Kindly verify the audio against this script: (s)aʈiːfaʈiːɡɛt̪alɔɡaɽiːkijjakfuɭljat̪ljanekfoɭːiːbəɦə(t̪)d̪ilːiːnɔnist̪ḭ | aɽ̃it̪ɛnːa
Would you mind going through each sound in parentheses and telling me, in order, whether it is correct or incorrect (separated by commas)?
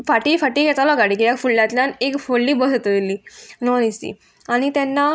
incorrect, correct